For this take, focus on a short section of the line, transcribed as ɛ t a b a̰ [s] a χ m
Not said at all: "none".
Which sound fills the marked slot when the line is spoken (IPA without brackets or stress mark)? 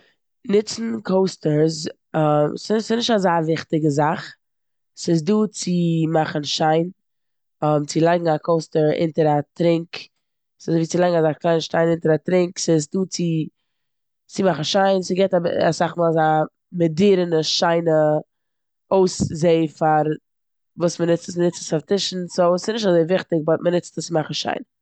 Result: s